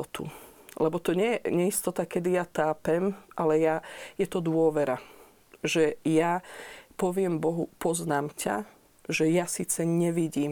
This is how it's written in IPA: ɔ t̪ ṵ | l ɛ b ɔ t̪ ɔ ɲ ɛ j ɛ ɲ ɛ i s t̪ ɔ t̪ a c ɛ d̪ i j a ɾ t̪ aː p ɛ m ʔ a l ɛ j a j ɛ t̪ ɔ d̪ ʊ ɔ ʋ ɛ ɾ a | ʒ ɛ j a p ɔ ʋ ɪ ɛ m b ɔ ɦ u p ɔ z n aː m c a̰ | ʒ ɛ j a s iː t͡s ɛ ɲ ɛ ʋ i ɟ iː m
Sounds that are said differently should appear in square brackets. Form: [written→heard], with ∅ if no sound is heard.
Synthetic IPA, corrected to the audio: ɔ t̪ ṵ | l ɛ b ɔ t̪ ɔ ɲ ɛ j ɛ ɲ ɛ i s t̪ ɔ t̪ a [c→k] ɛ d̪ i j a [ɾ→∅] t̪ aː p ɛ m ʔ a l ɛ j a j ɛ t̪ ɔ d̪ ʊ ɔ ʋ ɛ ɾ a | ʒ ɛ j a p ɔ ʋ ɪ ɛ m b ɔ ɦ u p ɔ z n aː m c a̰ | ʒ ɛ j a s iː t͡s ɛ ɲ ɛ ʋ i ɟ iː m